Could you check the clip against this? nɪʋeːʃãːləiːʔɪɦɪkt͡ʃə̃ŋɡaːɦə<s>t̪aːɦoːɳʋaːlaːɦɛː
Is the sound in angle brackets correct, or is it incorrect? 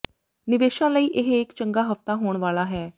incorrect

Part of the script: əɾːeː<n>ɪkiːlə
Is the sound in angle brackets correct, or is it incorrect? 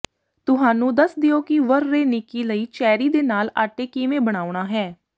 correct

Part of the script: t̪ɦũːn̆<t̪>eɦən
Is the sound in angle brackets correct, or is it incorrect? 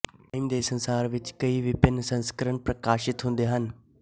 incorrect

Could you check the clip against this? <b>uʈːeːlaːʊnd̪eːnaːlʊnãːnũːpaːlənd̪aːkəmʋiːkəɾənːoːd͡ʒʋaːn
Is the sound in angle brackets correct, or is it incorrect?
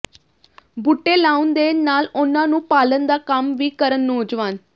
correct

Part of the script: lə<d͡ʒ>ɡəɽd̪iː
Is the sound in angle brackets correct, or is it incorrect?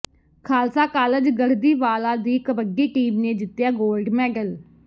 correct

